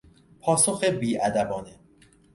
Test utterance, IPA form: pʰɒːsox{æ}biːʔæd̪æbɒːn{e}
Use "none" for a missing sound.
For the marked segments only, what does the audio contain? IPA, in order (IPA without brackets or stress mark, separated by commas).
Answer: e, e